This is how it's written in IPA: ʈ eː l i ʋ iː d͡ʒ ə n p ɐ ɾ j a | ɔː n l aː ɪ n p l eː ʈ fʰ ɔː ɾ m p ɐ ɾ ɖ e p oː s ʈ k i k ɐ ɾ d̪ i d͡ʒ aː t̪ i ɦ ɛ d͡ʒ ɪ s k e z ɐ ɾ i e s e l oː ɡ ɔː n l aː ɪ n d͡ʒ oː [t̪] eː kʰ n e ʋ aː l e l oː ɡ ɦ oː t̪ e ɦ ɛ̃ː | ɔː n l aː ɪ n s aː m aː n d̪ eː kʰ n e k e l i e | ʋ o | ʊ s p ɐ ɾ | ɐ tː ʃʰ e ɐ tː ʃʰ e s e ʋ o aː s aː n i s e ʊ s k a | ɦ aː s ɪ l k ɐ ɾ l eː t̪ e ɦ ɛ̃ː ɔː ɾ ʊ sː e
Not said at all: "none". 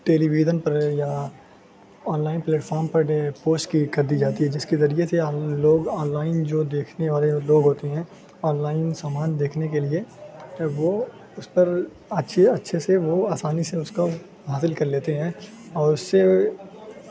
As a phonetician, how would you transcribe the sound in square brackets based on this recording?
d̪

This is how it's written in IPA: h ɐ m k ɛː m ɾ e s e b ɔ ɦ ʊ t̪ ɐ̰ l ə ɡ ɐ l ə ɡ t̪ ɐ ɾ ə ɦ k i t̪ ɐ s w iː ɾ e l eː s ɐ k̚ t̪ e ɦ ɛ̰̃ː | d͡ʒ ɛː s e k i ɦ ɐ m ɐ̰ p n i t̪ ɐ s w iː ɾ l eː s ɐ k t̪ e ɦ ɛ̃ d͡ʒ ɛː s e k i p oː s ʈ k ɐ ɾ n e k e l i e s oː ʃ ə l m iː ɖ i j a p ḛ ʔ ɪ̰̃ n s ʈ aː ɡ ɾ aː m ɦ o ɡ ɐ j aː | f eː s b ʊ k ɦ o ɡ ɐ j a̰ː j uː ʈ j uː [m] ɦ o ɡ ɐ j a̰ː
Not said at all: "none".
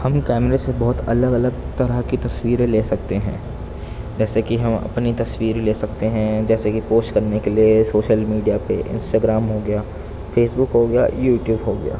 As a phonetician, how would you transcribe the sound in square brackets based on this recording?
b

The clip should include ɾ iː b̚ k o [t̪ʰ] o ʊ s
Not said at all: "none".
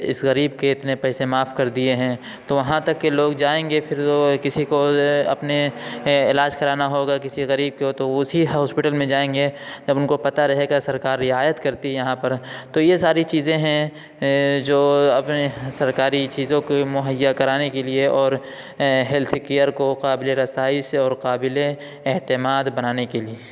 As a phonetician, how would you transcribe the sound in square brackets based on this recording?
t̪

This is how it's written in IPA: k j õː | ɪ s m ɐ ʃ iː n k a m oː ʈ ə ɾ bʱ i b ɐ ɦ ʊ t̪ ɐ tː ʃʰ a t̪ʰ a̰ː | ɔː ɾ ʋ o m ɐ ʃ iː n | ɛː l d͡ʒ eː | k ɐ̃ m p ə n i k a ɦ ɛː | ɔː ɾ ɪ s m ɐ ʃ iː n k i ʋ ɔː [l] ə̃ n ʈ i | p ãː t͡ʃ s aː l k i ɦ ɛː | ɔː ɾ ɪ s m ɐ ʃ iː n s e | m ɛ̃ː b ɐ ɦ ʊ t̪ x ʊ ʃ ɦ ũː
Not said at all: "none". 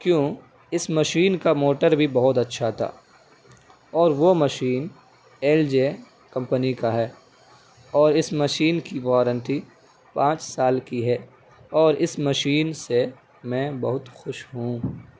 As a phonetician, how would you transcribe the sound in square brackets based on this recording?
ɾ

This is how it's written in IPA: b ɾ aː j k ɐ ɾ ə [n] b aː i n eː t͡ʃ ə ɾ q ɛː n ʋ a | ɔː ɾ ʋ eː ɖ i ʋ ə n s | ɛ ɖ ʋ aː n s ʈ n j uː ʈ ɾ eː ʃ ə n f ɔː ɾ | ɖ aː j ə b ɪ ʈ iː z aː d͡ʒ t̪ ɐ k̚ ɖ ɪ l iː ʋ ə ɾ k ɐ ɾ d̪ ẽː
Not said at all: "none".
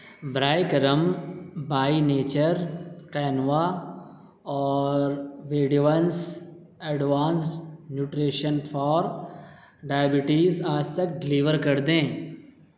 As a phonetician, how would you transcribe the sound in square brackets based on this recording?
m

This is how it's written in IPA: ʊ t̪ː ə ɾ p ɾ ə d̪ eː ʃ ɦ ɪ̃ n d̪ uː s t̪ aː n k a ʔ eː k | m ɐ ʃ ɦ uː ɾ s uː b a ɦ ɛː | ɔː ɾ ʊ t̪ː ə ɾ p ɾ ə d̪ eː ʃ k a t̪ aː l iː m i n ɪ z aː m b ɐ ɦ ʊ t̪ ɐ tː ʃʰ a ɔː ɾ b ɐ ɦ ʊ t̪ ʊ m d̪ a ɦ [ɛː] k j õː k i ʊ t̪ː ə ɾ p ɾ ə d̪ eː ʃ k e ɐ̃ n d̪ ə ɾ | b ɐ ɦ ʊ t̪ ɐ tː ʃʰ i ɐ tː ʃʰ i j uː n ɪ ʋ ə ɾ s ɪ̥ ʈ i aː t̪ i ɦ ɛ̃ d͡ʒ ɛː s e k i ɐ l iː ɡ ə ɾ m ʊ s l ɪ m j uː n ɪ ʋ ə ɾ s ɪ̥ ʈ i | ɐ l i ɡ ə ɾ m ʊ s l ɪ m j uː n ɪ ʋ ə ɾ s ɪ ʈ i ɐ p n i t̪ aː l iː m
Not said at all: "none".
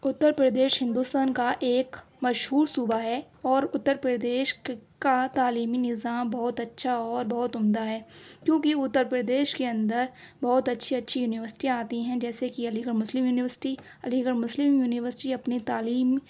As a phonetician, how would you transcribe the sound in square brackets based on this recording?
ɛː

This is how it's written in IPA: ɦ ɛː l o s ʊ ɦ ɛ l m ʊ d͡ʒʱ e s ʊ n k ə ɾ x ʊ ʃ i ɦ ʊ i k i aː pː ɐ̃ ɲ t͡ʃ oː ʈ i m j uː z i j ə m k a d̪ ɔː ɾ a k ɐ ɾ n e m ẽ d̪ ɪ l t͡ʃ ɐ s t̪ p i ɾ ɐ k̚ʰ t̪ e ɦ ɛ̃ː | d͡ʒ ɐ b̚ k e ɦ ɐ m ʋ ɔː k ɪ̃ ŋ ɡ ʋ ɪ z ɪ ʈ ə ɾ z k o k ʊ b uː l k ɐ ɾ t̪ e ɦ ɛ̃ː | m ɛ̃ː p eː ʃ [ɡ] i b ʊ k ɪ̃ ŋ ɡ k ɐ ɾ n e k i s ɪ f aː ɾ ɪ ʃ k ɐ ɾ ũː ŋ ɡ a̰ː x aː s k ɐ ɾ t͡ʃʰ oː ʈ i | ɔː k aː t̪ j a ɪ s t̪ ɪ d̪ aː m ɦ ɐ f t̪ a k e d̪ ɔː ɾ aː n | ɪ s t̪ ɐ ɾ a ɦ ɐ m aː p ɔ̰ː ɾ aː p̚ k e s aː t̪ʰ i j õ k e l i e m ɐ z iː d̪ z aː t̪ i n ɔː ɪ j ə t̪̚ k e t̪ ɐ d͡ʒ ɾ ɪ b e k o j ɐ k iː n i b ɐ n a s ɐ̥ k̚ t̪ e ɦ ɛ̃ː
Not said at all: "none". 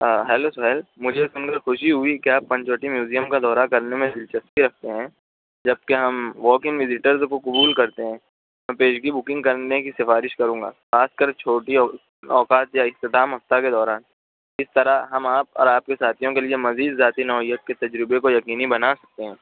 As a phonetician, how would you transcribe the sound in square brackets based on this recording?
ɡ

